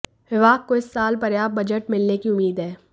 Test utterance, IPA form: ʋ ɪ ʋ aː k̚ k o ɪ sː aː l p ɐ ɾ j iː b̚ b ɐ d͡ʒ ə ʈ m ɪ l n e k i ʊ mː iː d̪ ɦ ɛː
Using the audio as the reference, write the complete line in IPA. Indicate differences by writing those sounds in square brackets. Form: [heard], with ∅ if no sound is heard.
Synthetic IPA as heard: ʋ ɪ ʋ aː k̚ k o ɪ sː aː l p ɐ ɾ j [aː] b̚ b ɐ d͡ʒ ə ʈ m ɪ l n e k i ʊ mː iː d̪ ɦ ɛː